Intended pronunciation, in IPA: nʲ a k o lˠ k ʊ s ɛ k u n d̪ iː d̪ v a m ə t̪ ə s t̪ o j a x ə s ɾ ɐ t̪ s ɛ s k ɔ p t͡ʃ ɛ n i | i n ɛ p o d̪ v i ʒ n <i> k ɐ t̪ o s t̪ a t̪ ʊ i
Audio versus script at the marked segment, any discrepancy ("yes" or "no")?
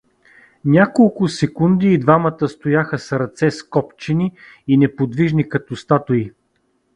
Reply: no